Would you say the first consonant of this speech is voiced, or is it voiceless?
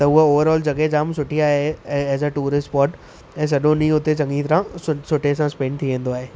voiceless